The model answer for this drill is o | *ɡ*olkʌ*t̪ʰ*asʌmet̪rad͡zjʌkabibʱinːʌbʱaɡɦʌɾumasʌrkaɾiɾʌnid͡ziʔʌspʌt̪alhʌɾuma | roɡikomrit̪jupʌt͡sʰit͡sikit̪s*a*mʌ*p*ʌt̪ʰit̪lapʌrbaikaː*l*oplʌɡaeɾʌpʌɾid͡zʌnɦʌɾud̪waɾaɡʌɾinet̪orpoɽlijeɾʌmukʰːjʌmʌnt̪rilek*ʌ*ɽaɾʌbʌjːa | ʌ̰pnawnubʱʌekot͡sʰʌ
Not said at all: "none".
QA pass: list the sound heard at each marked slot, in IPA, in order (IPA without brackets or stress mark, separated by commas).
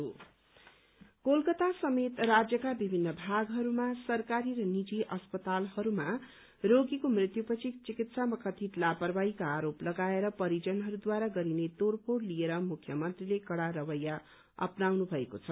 k, t̪, a, k, ɾ, ʌ